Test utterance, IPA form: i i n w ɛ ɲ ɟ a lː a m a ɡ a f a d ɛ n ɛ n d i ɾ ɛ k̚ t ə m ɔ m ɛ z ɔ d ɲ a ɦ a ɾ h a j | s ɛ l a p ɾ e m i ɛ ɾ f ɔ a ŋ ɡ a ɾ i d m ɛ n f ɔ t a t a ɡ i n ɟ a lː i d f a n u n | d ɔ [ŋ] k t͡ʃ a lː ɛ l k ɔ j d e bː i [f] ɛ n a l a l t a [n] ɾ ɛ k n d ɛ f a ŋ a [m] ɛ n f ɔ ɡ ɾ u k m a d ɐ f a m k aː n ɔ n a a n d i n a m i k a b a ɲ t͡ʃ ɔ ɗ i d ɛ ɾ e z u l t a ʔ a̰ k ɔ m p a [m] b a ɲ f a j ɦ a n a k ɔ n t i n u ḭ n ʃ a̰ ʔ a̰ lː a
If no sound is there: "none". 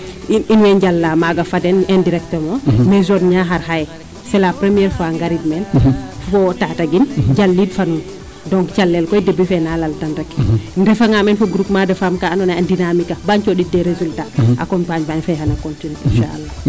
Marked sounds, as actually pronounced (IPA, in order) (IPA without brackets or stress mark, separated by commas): ŋ, f, n, m, ɲ